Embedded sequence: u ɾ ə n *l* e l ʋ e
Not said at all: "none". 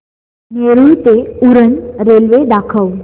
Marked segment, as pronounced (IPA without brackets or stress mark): ɾ